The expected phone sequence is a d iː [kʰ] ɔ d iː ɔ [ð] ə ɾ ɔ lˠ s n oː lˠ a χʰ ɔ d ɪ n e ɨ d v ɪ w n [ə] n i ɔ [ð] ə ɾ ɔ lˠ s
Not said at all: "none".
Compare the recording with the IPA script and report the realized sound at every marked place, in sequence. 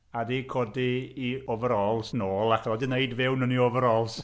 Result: kʰ, v, ə, v

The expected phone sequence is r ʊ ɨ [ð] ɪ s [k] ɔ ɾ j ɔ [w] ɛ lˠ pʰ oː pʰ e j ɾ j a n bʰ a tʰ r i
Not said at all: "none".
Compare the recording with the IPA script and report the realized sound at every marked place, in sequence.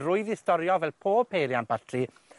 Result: ð, t, v

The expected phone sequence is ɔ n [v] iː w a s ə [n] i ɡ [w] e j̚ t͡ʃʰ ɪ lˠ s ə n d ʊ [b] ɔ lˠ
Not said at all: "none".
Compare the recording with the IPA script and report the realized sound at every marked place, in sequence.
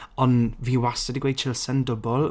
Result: v, d, w, b

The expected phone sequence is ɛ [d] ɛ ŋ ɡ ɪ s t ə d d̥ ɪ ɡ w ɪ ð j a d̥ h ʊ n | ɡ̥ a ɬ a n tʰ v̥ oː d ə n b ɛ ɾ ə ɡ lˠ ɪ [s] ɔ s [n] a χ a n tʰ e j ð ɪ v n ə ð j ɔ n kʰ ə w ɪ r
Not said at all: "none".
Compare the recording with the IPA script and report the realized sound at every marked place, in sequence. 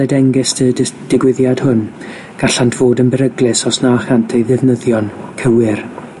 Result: d, s, n

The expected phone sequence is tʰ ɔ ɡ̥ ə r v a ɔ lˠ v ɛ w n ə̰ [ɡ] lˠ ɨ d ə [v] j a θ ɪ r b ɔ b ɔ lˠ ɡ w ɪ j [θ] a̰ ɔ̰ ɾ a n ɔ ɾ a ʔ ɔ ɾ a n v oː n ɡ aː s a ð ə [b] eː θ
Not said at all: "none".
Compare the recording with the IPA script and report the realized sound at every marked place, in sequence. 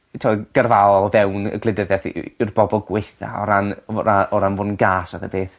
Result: ɡ, ð, θ, b

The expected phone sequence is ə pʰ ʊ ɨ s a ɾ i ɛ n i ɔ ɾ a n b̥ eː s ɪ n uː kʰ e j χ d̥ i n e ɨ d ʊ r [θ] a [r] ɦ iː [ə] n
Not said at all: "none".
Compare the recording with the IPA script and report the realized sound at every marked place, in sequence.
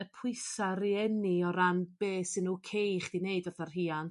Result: θ, r, a

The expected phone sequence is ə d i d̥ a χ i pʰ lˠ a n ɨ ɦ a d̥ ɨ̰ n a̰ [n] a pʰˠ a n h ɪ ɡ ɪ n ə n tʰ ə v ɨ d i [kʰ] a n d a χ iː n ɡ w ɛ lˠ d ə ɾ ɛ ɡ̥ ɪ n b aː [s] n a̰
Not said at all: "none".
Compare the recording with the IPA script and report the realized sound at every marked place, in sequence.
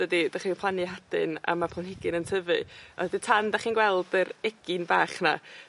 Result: m, tʰ, χ

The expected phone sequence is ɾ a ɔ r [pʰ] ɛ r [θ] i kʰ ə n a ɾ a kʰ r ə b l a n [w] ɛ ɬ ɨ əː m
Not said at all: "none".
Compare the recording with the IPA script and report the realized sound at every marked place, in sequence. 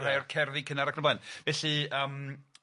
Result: kʰ, ð, v

